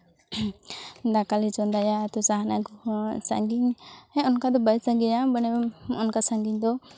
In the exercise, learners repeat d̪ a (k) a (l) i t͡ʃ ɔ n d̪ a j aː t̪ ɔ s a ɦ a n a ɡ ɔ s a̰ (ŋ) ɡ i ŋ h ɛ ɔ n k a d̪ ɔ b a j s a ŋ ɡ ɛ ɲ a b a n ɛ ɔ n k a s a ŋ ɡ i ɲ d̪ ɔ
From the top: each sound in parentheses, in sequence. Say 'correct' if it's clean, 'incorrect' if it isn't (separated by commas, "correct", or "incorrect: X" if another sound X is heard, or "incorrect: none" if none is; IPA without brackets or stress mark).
correct, correct, correct